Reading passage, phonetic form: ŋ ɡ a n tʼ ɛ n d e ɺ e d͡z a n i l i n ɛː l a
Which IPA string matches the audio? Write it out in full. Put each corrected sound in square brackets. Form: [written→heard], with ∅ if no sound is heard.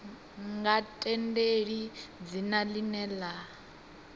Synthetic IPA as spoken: ŋ ɡ a [n→∅] tʼ ɛ n d e ɺ [e→i] d͡z [a→i] n [i→a] l i n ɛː l a